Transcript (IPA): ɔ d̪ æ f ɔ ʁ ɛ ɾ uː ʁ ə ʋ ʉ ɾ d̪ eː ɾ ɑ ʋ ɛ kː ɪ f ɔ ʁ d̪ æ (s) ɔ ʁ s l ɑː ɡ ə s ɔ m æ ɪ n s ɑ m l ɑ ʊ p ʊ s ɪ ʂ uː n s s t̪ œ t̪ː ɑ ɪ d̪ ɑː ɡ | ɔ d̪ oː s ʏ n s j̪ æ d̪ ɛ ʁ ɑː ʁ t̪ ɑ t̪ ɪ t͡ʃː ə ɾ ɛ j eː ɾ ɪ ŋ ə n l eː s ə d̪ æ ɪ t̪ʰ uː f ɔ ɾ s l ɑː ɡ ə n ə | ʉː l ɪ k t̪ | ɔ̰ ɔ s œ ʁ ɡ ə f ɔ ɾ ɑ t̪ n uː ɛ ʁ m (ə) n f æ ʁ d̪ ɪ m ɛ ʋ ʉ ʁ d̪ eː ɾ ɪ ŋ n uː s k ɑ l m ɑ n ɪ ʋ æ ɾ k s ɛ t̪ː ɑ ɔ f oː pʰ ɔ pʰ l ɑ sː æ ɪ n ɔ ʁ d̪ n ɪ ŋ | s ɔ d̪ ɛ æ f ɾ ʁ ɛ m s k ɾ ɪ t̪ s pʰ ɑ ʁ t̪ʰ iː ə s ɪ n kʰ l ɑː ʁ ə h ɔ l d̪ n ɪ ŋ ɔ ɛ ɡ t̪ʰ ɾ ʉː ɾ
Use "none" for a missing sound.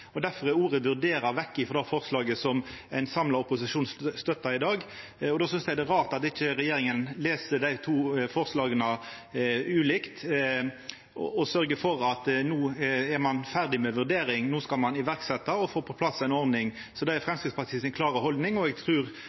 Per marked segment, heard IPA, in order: f, ɑ

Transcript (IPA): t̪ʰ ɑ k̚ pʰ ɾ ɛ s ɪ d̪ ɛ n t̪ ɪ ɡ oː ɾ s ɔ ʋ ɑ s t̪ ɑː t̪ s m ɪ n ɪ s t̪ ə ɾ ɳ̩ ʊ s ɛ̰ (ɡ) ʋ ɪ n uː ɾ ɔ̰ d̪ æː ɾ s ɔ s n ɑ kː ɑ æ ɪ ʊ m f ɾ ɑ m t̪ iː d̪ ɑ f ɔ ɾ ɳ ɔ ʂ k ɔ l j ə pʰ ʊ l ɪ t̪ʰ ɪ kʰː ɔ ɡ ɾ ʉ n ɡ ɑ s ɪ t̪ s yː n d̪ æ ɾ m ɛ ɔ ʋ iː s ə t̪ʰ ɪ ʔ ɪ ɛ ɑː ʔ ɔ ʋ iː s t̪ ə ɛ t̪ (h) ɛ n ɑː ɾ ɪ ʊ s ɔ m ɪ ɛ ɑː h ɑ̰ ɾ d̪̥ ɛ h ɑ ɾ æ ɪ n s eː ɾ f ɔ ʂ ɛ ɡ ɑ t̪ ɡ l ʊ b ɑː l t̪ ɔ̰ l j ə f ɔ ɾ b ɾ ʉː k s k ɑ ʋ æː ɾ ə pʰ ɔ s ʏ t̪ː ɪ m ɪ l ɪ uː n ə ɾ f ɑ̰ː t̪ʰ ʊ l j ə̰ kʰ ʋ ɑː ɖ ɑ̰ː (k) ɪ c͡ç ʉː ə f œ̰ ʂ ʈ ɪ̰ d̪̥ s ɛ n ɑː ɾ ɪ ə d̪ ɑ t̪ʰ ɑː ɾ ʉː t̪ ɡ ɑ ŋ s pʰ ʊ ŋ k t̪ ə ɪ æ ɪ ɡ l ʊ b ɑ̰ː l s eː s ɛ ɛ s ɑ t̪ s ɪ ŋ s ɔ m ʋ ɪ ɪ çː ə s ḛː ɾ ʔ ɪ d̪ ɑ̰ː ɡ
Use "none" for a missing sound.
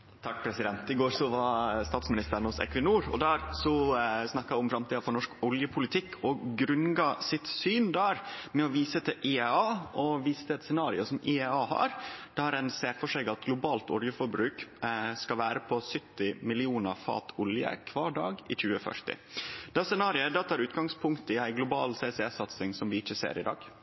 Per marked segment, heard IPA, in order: k, s, ɡ

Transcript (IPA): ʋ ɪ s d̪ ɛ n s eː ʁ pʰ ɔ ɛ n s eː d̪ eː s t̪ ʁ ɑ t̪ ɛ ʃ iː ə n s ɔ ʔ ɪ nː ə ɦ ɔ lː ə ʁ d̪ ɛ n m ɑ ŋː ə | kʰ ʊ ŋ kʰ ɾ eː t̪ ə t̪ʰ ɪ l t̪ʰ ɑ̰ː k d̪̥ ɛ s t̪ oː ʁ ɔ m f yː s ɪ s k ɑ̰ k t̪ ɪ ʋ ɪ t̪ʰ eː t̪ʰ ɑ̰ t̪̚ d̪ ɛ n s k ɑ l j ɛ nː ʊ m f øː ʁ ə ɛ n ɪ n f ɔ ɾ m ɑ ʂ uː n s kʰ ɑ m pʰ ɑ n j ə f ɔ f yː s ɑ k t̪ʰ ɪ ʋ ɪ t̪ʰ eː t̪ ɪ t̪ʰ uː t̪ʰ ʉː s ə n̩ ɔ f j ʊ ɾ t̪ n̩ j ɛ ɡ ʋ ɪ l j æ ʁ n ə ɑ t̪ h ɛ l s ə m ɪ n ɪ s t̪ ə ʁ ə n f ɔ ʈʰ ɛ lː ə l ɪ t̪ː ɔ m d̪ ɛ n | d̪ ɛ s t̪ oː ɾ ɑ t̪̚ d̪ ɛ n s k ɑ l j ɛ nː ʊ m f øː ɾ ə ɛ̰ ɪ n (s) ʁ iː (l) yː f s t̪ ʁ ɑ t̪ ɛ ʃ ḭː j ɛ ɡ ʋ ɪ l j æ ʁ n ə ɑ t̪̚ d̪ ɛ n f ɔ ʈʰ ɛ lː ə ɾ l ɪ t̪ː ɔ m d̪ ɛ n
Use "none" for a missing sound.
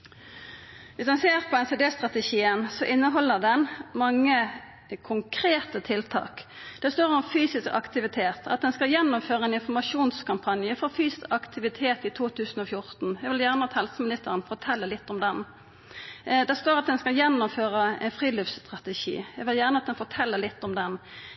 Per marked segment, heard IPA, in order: f, l

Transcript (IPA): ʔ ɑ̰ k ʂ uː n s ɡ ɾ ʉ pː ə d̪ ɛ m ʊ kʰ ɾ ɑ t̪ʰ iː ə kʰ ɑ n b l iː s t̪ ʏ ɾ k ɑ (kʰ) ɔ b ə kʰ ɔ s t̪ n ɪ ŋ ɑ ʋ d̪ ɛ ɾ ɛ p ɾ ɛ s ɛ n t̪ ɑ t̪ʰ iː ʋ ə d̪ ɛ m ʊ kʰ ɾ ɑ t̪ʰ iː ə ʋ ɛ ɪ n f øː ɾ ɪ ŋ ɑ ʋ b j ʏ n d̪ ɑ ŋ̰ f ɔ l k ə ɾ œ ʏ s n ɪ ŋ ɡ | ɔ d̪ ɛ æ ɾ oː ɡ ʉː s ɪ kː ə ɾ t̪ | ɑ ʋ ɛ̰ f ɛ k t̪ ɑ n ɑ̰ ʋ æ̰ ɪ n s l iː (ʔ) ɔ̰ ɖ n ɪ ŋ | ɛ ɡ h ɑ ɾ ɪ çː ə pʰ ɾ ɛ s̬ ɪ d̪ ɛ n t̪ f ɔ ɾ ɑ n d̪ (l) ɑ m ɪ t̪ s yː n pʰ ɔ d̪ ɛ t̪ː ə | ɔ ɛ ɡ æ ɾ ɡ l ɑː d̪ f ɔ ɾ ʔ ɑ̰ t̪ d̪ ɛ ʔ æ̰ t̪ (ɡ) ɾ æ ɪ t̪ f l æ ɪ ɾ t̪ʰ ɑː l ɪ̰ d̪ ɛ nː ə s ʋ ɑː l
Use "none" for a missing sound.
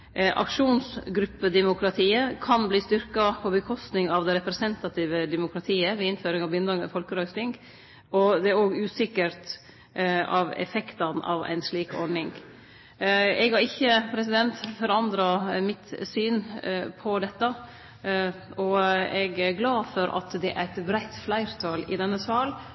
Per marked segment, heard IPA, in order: pʰ, k, ɾ, b

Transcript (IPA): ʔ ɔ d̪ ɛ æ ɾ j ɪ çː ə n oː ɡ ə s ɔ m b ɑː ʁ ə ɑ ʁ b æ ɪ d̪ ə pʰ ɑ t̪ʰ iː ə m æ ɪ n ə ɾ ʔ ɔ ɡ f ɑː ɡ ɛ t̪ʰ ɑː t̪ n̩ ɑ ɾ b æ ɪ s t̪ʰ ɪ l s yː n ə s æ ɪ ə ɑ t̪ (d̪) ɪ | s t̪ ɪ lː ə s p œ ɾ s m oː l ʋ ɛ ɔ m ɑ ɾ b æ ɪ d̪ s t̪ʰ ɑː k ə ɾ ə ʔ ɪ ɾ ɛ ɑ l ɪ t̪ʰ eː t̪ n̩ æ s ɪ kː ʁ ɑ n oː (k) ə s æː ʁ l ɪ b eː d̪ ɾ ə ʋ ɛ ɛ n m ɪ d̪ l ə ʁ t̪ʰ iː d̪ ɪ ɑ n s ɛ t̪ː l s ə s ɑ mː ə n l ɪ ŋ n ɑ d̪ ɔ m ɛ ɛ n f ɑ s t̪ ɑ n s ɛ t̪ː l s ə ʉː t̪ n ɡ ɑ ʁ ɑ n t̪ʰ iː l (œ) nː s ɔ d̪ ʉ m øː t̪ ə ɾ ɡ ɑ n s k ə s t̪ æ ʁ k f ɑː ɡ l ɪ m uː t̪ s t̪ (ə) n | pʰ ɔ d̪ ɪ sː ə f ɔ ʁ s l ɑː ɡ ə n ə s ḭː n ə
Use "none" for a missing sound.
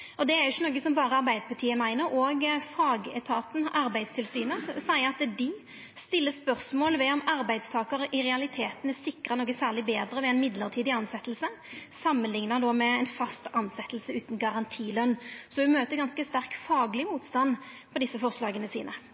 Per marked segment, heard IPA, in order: d̪, ɡ, œ, ɑ

